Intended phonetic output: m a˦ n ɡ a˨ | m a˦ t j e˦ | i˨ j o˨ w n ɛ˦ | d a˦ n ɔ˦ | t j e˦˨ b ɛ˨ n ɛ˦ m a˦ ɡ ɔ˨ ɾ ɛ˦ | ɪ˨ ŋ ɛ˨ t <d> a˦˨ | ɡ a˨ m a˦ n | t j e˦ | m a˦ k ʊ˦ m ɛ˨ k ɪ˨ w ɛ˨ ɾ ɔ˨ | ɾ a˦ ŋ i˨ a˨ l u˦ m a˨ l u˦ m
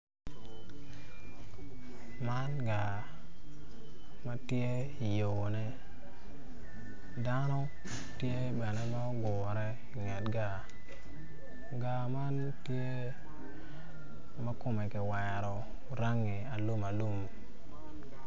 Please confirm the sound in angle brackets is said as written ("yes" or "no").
no